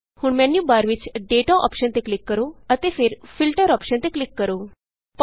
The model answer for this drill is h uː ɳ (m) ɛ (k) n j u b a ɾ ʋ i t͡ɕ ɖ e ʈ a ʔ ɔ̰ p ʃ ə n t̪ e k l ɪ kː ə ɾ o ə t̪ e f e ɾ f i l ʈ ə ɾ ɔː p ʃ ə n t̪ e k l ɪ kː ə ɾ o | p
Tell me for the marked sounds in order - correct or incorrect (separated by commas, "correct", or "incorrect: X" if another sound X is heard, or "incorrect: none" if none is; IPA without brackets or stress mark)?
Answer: correct, incorrect: none